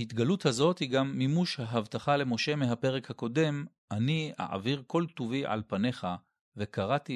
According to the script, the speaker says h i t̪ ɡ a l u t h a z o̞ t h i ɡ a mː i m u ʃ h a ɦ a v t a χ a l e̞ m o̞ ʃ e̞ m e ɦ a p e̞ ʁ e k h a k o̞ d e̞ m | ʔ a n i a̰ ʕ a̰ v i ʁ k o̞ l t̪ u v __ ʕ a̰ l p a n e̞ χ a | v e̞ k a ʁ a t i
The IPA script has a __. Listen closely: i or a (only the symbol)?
i